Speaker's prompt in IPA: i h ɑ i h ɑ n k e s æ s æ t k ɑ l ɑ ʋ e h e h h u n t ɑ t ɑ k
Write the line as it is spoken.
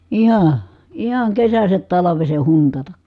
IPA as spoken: i h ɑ i h ɑ ŋ k e s æ s æ t t ɑ l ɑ ʋ e s e h h u n t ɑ t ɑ k